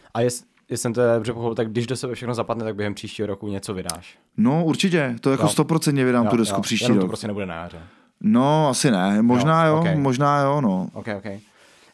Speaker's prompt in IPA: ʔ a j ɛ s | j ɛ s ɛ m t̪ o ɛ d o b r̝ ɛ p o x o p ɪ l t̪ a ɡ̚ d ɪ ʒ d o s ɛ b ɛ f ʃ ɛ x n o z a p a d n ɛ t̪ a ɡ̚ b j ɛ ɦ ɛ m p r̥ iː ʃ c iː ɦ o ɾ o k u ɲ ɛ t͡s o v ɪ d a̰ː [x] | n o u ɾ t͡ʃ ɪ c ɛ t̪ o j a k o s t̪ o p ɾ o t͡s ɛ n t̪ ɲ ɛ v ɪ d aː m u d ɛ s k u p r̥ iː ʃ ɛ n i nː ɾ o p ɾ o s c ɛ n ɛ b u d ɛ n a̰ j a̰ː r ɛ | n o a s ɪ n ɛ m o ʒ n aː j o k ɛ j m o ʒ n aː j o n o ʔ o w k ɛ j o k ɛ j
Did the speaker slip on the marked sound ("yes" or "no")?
yes